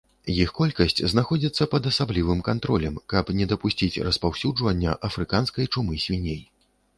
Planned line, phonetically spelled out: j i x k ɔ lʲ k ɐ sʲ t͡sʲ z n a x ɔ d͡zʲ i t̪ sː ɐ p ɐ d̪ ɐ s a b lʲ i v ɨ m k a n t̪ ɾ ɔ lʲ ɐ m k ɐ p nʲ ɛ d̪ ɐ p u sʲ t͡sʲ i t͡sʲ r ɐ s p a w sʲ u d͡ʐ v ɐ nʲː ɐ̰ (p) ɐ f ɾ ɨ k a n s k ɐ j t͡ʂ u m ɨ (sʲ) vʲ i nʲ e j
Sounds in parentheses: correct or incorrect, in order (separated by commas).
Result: incorrect, correct